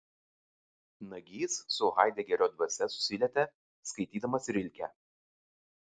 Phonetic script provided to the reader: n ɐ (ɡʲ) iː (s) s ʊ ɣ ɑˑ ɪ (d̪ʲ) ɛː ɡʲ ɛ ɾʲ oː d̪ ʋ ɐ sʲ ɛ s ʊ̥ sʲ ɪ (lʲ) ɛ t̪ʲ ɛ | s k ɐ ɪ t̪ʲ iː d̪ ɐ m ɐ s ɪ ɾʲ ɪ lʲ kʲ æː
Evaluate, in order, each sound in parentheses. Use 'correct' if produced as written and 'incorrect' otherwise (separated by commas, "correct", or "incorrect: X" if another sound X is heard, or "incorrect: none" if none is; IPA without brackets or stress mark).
correct, correct, correct, correct